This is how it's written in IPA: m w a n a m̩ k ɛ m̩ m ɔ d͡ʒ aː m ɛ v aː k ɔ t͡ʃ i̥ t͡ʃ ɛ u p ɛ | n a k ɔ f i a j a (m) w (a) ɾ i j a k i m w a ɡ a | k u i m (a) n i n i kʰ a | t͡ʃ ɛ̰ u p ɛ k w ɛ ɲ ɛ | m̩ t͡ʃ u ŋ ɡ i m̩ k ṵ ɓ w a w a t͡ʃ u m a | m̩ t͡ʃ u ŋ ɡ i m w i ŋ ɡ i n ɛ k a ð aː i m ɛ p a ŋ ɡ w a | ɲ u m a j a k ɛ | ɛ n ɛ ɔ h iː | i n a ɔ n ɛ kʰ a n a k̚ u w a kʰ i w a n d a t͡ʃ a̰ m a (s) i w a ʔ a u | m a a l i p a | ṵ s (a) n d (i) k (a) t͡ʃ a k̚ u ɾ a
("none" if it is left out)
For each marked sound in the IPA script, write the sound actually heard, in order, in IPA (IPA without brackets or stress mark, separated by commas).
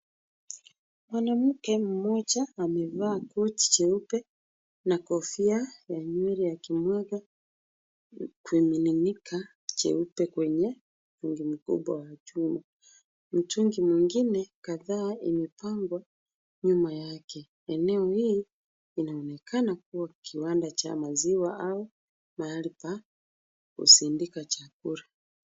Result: ɲ, ɛ, i, z, i, i, a